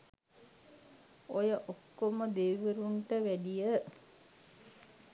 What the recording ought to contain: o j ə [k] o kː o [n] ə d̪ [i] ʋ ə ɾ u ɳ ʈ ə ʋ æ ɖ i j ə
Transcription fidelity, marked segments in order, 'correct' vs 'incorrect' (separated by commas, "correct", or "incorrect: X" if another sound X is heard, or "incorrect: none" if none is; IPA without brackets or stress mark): incorrect: ʔ, incorrect: m, incorrect: e